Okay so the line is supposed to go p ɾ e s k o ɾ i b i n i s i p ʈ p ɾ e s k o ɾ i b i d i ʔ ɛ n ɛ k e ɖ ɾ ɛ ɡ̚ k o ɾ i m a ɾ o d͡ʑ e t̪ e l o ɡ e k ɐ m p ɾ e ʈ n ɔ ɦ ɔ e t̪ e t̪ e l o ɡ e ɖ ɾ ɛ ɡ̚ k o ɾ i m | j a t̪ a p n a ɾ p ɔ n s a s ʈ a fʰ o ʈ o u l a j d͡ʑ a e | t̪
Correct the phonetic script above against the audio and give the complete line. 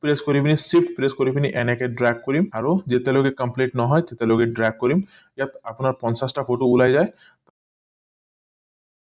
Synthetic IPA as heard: p ɾ e s k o ɾ i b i n i s i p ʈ p ɾ e s k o ɾ i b i n i ʔ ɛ n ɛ k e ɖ ɾ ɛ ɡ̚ k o ɾ i m a ɾ o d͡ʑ e t̪ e l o ɡ e k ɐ m p l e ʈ n ɔ ɦ ɔ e t̪ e t̪ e l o ɡ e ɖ ɾ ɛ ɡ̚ k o ɾ i m | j a t̪ a p n a ɾ p ɔ n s a s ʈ a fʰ o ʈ o u l a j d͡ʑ a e | t̪